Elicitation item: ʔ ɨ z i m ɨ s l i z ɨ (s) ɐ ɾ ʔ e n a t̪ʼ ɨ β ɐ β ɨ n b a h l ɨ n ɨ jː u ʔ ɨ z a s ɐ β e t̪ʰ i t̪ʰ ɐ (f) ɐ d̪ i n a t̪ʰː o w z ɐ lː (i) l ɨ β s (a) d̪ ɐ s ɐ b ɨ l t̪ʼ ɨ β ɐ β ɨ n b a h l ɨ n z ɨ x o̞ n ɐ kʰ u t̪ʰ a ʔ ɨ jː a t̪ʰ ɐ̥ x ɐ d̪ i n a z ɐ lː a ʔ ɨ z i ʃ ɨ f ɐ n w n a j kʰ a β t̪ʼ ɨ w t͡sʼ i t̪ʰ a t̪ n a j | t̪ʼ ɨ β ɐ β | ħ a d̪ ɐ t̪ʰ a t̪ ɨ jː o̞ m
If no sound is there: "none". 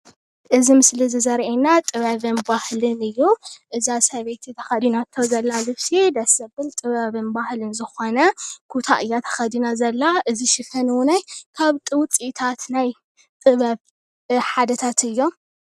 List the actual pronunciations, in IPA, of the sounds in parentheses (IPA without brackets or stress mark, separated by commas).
z, x, a, i